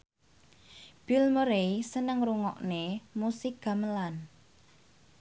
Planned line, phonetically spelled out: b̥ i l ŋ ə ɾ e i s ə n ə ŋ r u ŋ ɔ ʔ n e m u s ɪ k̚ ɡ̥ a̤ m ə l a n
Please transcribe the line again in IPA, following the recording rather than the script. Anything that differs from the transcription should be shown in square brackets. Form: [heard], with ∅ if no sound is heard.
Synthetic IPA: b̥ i l [m] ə ɾ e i s ə n ə ŋ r u ŋ ɔ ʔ n e m u s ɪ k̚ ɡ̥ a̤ m ə l a n